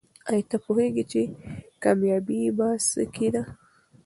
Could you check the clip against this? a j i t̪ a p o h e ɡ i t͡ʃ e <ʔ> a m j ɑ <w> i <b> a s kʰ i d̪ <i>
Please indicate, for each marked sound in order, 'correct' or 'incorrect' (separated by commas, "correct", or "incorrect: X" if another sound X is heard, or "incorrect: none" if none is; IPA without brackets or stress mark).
incorrect: k, incorrect: b, correct, incorrect: a